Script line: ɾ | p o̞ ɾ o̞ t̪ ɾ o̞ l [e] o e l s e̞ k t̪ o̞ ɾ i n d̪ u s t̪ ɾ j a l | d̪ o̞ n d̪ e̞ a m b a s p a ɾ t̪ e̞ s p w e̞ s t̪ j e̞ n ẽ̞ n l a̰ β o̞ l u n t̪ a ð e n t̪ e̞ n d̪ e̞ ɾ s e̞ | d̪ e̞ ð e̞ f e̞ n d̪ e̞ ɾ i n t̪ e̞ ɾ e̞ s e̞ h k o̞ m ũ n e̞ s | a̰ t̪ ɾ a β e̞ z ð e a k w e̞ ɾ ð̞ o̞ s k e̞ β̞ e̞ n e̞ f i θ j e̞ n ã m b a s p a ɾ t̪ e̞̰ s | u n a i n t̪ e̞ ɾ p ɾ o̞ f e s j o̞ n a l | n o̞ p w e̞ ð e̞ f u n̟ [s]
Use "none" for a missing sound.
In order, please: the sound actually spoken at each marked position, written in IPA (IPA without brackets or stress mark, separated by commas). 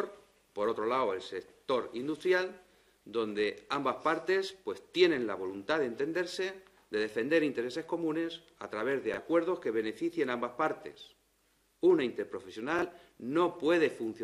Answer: a, θ